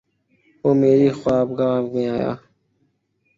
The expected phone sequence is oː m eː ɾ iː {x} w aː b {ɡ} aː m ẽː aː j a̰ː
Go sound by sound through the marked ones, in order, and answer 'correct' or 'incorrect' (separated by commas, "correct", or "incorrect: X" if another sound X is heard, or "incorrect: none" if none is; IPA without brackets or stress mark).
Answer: correct, correct